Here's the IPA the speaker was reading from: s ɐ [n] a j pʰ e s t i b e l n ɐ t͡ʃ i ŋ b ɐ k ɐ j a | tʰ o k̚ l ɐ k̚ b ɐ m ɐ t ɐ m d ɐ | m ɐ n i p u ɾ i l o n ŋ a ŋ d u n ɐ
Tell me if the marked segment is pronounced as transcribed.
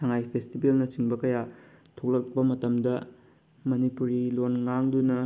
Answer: no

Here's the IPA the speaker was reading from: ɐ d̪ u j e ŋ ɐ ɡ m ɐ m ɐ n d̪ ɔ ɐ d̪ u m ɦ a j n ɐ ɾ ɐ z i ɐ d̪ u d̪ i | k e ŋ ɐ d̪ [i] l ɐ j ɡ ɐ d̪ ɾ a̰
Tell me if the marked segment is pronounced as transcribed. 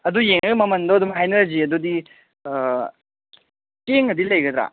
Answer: yes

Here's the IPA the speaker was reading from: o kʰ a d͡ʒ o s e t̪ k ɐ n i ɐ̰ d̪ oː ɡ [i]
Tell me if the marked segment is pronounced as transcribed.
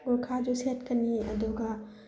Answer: no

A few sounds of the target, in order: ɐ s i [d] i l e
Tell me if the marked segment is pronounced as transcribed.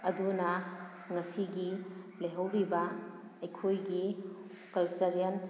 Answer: no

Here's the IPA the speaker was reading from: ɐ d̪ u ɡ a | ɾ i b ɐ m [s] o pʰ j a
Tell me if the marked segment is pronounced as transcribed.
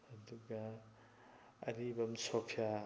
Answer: yes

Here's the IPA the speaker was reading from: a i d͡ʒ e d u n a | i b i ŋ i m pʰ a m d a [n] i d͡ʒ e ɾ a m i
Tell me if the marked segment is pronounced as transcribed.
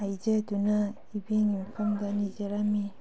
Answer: yes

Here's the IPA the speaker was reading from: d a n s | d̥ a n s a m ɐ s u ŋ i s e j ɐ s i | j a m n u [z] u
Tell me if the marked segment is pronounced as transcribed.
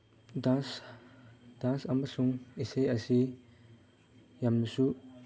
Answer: no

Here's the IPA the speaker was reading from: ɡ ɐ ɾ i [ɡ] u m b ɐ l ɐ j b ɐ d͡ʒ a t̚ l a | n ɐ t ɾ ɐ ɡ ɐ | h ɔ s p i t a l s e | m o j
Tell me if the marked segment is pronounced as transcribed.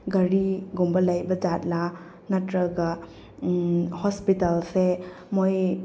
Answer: yes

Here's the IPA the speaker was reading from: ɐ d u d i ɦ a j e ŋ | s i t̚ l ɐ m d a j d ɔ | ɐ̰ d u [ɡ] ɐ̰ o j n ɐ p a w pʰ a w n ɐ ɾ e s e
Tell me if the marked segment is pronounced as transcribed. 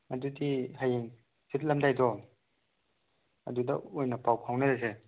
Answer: no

